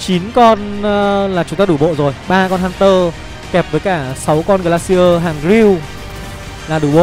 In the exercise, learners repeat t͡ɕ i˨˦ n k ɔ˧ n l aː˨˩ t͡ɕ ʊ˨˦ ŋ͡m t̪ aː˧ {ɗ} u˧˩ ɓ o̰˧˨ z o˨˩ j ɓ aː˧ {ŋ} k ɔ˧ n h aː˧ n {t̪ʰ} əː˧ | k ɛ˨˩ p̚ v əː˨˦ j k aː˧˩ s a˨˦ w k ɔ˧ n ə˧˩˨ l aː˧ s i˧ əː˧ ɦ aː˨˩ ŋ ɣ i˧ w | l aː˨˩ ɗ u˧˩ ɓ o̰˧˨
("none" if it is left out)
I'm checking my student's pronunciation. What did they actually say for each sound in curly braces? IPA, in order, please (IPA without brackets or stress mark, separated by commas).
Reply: ɗ, none, t̪